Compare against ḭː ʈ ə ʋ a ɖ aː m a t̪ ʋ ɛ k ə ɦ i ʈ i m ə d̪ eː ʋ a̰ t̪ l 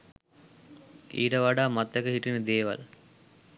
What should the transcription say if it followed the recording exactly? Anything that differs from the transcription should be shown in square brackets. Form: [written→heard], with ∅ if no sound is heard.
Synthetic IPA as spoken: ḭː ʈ ə ʋ a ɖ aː m a t̪ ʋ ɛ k ə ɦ i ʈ i [m→n] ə d̪ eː ʋ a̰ [t̪→∅] l